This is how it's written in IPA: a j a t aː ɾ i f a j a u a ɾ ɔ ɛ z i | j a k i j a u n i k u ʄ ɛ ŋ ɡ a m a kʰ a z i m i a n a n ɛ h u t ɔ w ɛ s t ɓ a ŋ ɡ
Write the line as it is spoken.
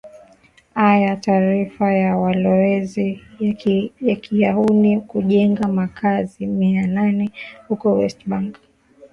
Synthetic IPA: a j a t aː ɾ i f a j a w a l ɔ ɛ z i | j a k i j a u n i k u ʄ ɛ ŋ ɡ a m a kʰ a z i m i a n a n ɛ h u k ɔ w ɛ s t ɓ a ŋ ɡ